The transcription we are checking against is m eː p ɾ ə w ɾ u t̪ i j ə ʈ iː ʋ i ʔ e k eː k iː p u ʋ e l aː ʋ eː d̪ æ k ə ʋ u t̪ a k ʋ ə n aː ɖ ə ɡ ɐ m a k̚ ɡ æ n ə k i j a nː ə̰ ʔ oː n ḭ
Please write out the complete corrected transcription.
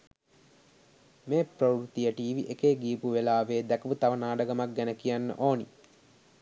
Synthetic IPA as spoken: m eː p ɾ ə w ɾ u t̪ i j ə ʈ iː ʋ i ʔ e k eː ɡ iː p u ʋ e l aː ʋ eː d̪ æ k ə ʋ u t̪ a ʋ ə n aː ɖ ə ɡ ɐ m a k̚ ɡ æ n ə k i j a nː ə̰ ʔ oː n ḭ

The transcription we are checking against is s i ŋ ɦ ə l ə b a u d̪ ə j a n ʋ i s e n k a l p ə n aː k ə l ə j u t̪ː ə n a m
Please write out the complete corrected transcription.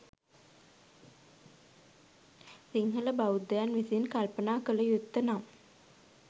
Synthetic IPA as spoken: s i ŋ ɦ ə l ə b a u d̪ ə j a n ʋ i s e n k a l p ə n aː k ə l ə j u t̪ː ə n a m

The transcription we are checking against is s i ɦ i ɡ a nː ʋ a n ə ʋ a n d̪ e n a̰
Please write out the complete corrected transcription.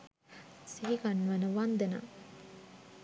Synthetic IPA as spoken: s i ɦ i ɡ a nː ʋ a n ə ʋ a n d̪ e n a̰

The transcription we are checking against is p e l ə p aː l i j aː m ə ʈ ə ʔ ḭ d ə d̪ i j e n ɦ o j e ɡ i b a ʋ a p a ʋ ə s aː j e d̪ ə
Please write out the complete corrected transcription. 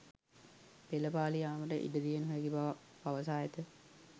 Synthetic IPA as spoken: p e l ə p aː l i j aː m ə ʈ ə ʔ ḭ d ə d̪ i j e n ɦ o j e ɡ i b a ʋ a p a ʋ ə s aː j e t̪ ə

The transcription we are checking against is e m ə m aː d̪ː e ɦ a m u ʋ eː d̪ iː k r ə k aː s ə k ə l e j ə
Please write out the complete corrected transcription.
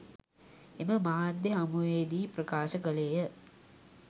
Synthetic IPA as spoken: e m ə m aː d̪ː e ɦ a m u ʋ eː d̪ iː p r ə k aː ʃ ə k ə l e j ə

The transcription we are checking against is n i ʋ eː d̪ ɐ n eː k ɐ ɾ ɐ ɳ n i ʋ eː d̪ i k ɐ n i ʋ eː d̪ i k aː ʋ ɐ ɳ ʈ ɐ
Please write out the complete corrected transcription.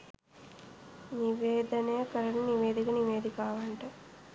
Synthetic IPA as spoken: n i ʋ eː d̪ ɐ n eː k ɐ ɾ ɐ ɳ n i ʋ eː d̪ i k ɐ n i ʋ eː d̪ i k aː ʋ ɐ ɳ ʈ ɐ

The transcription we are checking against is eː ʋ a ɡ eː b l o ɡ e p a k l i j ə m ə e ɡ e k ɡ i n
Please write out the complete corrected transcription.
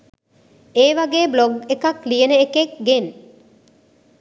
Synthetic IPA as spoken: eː ʋ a ɡ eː b l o ɡ e k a k l i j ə n ə e k e k ɡ e n

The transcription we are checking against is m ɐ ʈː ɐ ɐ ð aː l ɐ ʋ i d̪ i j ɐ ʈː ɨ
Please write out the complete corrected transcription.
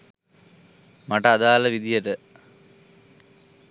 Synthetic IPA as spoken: m ɐ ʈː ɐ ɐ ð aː l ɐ ʋ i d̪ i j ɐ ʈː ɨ

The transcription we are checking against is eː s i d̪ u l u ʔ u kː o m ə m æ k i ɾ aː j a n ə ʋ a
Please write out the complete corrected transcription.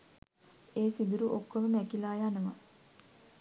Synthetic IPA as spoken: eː s i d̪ u ɾ u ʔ o kː o m ə m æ k i l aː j a n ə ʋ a

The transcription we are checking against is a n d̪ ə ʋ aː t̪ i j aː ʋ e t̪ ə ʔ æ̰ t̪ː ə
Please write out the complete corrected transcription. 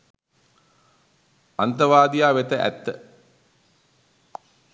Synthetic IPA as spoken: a n t̪ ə ʋ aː d̪ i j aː ʋ e t̪ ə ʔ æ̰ t̪ː ə

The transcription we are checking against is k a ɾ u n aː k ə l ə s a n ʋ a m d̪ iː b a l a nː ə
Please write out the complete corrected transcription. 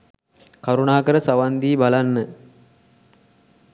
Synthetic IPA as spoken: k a ɾ u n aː k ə ɾ ə s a ʋ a n d̪ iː b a l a nː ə

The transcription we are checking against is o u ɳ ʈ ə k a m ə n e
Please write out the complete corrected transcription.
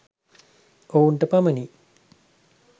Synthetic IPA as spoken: o u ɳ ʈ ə p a m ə n i

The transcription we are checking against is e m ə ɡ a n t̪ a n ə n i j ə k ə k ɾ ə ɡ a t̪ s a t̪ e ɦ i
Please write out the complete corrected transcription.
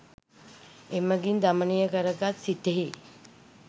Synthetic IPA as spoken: e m ə ɡ i n d̪ a m ə n i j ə k ə ɾ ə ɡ a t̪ s i t̪ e ɦ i

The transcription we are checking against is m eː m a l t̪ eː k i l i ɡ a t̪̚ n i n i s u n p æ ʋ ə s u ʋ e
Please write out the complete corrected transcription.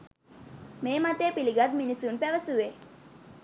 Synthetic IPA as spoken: m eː m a t̪ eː p i l i ɡ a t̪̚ m i n i s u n p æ ʋ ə s u ʋ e

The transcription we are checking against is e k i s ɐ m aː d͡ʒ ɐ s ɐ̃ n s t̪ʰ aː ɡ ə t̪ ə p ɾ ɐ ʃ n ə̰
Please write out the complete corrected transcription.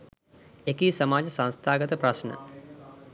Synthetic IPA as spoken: e k i s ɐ m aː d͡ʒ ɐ s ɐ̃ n s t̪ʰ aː ɡ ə t̪ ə p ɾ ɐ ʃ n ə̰

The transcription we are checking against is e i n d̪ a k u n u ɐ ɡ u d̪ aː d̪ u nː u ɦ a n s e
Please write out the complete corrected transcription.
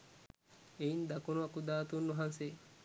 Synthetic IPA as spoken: e i n d̪ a k u n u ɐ k u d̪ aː t̪ u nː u ɦ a n s e

